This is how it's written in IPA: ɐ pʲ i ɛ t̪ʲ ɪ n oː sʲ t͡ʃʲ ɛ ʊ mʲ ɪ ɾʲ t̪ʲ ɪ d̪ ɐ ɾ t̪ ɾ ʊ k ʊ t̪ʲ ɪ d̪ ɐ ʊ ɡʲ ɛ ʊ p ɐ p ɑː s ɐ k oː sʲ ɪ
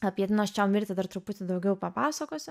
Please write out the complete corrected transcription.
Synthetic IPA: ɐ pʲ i ɛ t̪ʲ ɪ n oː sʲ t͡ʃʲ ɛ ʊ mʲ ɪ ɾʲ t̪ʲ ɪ d̪ ɐ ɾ t̪ ɾ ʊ p ʊ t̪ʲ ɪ d̪ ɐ ʊ ɡʲ ɛ ʊ p ɐ p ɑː s ɐ k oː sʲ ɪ